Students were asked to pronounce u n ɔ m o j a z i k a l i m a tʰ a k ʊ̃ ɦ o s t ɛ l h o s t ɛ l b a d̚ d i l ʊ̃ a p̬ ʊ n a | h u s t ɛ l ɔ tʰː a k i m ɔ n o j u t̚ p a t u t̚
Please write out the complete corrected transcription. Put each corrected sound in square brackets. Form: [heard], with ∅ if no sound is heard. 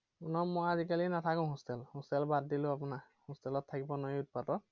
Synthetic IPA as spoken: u n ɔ m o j a z i k a l i [n] a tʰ a k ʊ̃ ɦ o s t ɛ l h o s t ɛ l b a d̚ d i l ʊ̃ a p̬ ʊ n a | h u s t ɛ l ɔ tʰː a k i [b] ɔ n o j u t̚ p a t [ɔ] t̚